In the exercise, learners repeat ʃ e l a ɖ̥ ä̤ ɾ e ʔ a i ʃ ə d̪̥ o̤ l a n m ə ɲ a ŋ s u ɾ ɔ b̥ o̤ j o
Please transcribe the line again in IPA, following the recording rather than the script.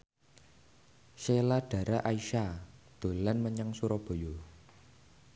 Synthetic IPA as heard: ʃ e l a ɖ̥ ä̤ ɾ a ʔ a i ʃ a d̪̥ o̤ l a n m ə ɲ a ŋ s u ɾ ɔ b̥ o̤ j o